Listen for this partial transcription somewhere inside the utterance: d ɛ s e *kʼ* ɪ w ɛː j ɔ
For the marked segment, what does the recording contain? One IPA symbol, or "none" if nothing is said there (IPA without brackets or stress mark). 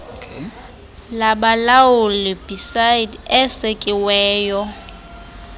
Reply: kʼ